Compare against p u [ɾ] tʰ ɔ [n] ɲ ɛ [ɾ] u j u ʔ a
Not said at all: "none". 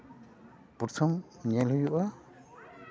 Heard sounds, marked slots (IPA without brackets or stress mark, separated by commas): ɾ, m, l